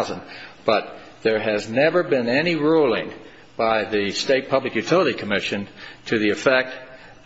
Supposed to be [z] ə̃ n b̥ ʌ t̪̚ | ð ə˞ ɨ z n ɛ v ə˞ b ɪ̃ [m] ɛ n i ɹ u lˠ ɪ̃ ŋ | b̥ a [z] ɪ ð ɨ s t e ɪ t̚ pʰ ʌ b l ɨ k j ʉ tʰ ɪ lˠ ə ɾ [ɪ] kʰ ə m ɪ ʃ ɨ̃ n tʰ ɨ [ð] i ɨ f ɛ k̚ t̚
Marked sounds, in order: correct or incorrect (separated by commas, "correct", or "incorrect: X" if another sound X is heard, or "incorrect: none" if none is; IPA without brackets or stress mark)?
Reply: correct, incorrect: n, incorrect: none, incorrect: i, correct